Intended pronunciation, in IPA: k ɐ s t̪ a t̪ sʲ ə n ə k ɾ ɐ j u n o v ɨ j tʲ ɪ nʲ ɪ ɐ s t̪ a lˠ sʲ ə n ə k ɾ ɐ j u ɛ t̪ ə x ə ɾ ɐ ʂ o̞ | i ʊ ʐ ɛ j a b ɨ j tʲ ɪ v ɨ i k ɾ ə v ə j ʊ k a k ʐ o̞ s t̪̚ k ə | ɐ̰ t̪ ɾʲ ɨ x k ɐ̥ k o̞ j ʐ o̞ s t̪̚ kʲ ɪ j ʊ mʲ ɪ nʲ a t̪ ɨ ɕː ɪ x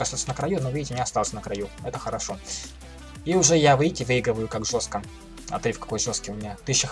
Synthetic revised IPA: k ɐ s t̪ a t̪ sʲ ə n ə k ɾ ɐ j u n o v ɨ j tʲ ɪ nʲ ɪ ɐ s t̪ a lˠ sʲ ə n ə k ɾ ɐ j u ɛ t̪ ə x ə ɾ ɐ ʂ o̞ | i ʊ ʐ ɛ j a v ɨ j tʲ ɪ v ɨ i ɡ ɾ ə v ə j ʊ k a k ʐ o̞ s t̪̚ k ə | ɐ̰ t̪ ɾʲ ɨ f k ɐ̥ k o̞ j ʐ o̞ s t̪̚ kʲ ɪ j ʊ mʲ ɪ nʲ a t̪ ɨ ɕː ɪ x

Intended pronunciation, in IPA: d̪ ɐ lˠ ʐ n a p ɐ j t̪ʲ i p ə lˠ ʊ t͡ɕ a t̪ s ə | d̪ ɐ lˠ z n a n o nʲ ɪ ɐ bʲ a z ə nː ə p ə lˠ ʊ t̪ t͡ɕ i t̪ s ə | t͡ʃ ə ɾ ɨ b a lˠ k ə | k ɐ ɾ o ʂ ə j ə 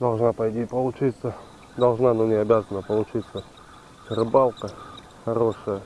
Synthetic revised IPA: d̪ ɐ lˠ ʐ n a p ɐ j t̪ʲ i p ə lˠ ʊ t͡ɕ i t̪ s ə | d̪ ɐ lˠ ʐ n a n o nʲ ɪ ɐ bʲ a z ə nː ə p ə lˠ ʊ t͡ɕ i t̪ s ə | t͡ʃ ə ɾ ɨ b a lˠ k ə | x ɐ ɾ o ʂ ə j ə

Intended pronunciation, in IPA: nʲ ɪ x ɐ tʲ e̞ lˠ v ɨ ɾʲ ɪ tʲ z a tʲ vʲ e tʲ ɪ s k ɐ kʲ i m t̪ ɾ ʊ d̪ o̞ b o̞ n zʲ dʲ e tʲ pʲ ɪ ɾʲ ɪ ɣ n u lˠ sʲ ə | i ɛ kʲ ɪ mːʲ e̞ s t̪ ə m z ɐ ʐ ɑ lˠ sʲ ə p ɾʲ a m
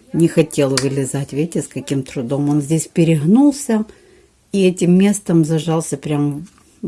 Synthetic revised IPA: nʲ ɪ x ɐ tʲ e̞ lˠ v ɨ lʲ ɪ z a tʲ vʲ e tʲ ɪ s k ɐ kʲ i m t̪ ɾ ʊ d̪ o̞ m o̞ n zʲ dʲ e sʲ pʲ ɪ ɾʲ ɪ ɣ n u lˠ sʲ ə | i ɛ tʲ ɪ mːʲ e̞ s t̪ ə m z ɐ ʐ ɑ lˠ sʲ ə p ɾʲ a m

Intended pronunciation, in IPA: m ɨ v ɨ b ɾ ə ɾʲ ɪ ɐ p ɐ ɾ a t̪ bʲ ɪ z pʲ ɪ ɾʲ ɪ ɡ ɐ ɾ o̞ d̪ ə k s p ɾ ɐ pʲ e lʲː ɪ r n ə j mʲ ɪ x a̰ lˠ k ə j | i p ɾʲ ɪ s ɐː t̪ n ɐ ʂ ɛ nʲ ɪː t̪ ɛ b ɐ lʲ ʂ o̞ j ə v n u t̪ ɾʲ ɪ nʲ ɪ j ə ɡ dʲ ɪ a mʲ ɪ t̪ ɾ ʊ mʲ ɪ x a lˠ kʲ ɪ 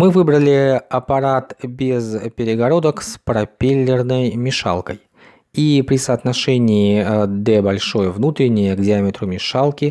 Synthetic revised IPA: m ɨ v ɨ b ɾ ə lʲ ɪ ɐ p ɐ ɾ a t̪ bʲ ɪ z pʲ ɪ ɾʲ ɪ ɡ ɐ ɾ o̞ d̪ ə k s p ɾ ɐ pʲ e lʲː ɪ r n ə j mʲ ɪ ʂ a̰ lˠ k ə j | i p ɾʲ ɪ s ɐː t̪ n ɐ ʂ ɛ nʲ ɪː d̪ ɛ b ɐ lʲ ʂ o̞ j ə v n u t̪ ɾʲ ɪ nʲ ɪ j ə ɡ dʲ ɪ a mʲ ɪ t̪ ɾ ʊ mʲ ɪ ʂ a lˠ kʲ ɪ

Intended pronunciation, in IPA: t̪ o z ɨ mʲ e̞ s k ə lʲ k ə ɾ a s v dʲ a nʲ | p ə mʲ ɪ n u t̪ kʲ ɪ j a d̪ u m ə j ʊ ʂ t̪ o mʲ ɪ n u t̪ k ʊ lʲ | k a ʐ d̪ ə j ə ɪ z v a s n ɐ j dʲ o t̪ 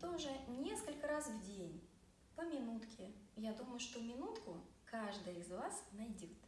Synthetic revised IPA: t̪ o ʐ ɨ nʲ e̞ s k ə lʲ k ə ɾ a s v dʲ e nʲ | p ə mʲ ɪ n u t̪ kʲ ɪ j a d̪ u m ə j ʊ ʂ t̪ o mʲ ɪ n u t̪ k ʊ | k a ʐ d̪ ə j ə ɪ z v a s n ɐ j dʲ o t̪

